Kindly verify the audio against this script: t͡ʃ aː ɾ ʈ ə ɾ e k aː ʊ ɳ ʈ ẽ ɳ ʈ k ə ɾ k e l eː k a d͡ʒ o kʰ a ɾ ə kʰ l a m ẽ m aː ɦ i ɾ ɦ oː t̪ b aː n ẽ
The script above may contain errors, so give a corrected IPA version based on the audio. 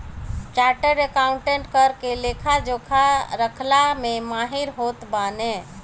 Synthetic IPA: t͡ʃ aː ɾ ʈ ə ɾ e k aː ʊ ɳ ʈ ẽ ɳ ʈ k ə ɾ k e l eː kʰ a d͡ʒ o kʰ a ɾ ə kʰ l a m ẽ m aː ɦ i ɾ ɦ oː t̪ b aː n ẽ